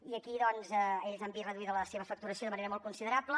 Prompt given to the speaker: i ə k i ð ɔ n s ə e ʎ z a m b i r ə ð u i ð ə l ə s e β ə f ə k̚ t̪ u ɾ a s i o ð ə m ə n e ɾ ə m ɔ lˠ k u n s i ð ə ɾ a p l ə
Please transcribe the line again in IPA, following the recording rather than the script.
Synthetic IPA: i ə k i ð ɔ n z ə e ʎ z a m b i r ə ð u i ð ə l ə s e β ə f ə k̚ t̪ u ɾ ə s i o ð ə m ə n e ɾ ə m ɔ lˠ k u n s i ð ə ɾ a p l ə